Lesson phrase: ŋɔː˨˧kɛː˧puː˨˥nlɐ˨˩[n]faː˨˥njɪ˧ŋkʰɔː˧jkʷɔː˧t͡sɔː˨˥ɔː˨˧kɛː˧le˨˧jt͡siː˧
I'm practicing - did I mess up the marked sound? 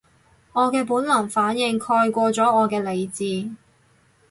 yes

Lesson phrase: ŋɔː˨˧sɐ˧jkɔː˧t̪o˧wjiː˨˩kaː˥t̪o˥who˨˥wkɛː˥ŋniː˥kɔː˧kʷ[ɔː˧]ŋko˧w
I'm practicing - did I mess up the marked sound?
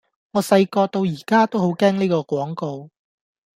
yes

